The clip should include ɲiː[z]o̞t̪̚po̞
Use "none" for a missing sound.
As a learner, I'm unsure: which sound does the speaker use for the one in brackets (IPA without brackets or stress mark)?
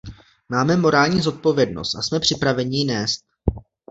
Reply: z